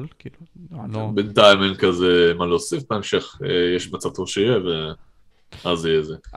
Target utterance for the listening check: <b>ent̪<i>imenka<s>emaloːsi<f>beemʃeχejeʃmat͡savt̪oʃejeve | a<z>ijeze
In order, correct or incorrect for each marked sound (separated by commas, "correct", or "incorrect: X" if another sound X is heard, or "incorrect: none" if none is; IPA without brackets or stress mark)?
correct, incorrect: a, incorrect: z, correct, correct